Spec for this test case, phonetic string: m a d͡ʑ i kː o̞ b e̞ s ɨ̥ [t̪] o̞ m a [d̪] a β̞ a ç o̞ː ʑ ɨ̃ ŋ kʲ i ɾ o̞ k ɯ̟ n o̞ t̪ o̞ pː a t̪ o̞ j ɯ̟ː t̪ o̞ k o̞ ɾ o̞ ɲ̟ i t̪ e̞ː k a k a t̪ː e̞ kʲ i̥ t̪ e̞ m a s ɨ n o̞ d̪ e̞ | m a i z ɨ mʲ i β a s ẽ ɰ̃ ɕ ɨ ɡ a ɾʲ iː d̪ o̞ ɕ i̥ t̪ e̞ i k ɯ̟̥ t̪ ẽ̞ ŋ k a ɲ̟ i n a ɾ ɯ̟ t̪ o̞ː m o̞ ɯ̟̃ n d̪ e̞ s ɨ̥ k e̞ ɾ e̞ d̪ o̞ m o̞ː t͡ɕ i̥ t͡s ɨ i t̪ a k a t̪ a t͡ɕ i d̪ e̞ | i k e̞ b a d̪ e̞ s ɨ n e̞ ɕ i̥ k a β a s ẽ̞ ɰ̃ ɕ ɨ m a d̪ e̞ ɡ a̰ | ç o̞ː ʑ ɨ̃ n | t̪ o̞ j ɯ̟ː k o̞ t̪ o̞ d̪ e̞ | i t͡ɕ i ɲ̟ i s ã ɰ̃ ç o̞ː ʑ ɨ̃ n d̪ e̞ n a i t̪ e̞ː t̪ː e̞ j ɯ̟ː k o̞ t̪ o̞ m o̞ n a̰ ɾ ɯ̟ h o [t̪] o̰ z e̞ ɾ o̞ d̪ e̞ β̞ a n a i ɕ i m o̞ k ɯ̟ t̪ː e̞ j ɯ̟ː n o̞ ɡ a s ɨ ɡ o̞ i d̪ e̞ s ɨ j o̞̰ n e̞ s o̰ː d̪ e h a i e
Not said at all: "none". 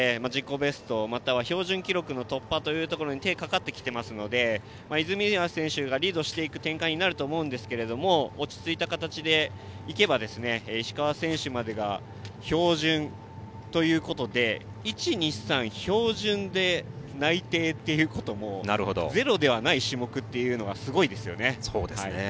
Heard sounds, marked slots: t̪, t̪, d̪

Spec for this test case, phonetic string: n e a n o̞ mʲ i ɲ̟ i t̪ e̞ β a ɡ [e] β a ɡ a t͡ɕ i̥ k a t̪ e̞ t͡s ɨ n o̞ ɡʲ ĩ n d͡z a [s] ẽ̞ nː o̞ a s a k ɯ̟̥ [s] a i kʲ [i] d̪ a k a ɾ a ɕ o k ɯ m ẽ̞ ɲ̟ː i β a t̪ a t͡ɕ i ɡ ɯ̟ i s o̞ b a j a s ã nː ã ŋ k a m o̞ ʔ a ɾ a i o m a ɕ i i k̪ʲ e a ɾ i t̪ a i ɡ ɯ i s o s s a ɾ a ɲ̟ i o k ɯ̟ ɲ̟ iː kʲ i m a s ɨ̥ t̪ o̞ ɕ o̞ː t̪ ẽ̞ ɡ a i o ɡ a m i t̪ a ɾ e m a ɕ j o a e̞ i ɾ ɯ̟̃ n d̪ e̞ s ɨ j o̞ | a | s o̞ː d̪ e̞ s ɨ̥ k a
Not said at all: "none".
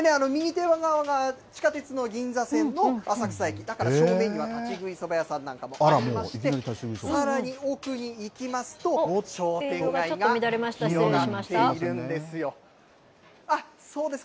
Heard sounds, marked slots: a, s, s, i

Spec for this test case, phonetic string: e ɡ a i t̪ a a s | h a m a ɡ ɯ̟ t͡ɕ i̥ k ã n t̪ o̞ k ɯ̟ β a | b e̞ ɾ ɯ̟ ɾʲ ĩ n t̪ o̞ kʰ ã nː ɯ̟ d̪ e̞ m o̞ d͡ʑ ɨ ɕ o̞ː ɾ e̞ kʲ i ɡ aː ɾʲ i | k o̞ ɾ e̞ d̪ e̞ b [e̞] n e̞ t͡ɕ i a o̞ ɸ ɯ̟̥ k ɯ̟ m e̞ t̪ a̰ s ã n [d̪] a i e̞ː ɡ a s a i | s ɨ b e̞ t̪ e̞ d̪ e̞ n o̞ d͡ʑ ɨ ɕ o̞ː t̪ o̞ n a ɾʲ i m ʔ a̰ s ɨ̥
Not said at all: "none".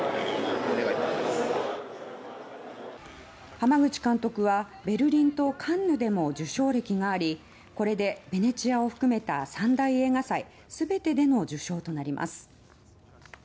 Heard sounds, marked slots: e̞, d̪

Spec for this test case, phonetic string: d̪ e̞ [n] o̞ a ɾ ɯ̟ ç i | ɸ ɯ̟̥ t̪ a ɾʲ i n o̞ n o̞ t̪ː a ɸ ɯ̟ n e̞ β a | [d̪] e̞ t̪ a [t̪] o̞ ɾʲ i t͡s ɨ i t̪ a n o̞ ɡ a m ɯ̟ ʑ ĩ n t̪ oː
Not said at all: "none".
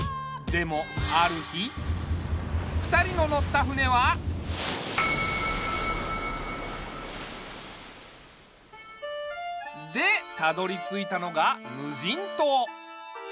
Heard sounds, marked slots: m, d̪, d̪

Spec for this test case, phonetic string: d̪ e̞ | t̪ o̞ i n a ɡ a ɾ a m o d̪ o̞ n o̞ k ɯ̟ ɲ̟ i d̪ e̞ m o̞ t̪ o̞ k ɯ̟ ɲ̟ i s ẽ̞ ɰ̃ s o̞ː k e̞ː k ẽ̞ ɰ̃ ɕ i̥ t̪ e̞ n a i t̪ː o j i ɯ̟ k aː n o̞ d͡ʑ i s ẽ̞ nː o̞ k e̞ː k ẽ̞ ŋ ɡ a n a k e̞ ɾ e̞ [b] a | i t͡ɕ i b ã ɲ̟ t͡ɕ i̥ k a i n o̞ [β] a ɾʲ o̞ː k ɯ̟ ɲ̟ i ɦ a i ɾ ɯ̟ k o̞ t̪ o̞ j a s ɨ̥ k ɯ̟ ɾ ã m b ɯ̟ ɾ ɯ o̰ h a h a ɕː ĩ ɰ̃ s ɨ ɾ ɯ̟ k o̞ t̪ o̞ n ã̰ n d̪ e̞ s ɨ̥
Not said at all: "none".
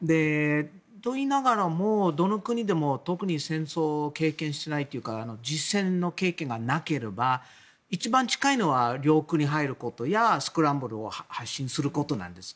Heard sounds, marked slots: b, β

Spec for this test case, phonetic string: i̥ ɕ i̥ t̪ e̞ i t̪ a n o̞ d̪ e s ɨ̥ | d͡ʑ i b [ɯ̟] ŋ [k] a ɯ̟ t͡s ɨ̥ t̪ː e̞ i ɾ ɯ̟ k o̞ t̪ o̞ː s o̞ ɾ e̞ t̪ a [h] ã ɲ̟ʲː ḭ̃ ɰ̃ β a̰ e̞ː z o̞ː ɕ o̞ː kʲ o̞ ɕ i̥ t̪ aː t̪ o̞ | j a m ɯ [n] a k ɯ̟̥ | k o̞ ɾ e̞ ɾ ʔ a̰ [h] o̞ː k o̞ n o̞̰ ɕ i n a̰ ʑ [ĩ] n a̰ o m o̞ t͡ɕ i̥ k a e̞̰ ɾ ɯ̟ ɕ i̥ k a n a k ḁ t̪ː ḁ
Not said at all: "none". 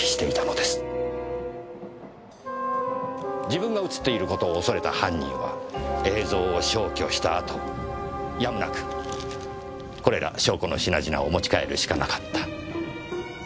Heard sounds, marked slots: ɯ̟̃, ɡ, h, n, ɕ, i

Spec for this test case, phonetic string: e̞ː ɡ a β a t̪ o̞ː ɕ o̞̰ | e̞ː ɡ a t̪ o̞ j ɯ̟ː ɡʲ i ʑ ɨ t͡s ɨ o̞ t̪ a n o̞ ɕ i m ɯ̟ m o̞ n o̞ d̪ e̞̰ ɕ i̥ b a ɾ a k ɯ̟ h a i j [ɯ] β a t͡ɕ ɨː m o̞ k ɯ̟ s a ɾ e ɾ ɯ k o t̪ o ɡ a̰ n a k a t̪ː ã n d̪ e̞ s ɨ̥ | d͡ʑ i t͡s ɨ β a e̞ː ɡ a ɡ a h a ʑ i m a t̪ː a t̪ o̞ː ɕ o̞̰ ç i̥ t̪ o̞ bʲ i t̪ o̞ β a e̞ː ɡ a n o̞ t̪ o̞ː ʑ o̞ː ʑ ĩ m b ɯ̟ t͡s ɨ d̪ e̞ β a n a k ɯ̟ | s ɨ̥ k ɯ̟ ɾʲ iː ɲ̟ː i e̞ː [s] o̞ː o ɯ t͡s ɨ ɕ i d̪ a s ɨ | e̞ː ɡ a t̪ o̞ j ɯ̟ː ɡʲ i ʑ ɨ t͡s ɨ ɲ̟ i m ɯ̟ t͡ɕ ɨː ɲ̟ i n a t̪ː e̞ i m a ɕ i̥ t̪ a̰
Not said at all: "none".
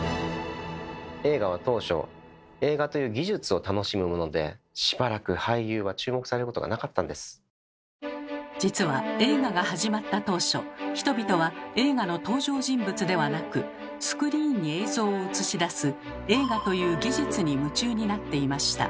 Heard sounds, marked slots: ɯː, z

